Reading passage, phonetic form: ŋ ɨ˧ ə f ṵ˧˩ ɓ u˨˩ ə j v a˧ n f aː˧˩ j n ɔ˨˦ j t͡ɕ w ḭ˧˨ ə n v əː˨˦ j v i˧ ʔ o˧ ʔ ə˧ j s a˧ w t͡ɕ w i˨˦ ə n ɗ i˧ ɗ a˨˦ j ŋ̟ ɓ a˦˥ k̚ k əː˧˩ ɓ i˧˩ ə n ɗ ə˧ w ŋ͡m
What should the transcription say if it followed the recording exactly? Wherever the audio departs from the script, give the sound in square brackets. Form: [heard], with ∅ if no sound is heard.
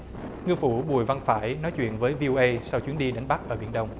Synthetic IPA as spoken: ŋ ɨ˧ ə f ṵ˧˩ ɓ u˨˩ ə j v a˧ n f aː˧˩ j n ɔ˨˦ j t͡ɕ w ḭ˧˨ ə n v əː˨˦ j v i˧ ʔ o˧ ʔ ə˧ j s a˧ w t͡ɕ w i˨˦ ə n ɗ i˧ ɗ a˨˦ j ŋ̟ ɓ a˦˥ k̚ [ʔ] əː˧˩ ɓ i˧˩ ə n ɗ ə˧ w ŋ͡m